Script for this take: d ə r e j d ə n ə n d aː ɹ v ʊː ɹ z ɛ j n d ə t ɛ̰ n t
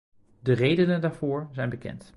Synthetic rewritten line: d ə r e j d ə n ə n d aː ɹ v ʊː ɹ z ɛ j n b ə k ɛ̰ n t